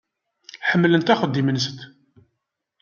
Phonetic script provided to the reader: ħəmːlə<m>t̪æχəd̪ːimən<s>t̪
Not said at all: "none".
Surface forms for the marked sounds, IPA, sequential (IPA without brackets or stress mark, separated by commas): n, s